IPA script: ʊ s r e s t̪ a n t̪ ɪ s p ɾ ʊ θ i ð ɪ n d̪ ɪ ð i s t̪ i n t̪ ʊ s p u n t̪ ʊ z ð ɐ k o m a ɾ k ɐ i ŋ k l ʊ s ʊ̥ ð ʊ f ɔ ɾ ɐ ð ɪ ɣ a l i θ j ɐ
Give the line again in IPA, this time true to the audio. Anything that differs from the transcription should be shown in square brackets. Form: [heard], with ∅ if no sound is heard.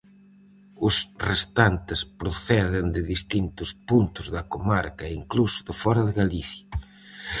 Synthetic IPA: ʊ s r e s t̪ a n t̪ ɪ s p ɾ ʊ θ [ɛ] ð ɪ n d̪ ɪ ð i s t̪ i n t̪ ʊ s p u n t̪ ʊ z ð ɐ k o m a ɾ k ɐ i ŋ k l [u] s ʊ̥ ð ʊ f ɔ ɾ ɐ ð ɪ ɣ a l i θ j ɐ